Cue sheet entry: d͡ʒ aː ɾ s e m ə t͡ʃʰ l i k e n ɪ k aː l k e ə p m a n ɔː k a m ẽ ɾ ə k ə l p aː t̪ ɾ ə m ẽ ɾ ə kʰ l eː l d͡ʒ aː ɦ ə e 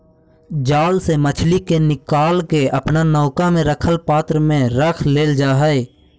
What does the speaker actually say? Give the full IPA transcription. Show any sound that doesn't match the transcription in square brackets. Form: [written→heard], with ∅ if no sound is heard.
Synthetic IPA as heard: d͡ʒ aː [ɾ→l] s e m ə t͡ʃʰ l i k e n ɪ k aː l k e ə p [m→n] a n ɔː k a m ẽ ɾ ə [k→kʰ] ə l p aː t̪ ɾ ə m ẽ ɾ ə kʰ l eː l d͡ʒ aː ɦ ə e

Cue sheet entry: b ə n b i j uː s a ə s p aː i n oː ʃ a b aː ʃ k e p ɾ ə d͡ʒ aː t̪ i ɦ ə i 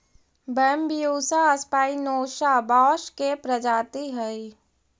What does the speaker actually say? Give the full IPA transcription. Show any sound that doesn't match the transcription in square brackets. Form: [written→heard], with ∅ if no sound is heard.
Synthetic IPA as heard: b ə [n→m] b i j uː s a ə s p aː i n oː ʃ a b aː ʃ k e p ɾ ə d͡ʒ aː t̪ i ɦ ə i

